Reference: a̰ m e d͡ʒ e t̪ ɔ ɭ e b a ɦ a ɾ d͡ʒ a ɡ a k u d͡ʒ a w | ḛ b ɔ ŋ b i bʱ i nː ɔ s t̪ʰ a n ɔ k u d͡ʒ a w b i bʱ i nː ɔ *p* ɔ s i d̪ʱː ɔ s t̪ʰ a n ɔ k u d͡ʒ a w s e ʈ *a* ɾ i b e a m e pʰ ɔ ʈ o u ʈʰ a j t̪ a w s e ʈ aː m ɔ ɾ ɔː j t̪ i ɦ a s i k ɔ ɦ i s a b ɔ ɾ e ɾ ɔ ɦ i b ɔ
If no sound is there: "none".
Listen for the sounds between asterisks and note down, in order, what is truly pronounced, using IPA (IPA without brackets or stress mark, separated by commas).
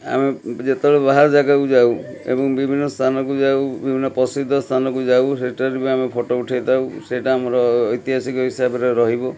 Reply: p, a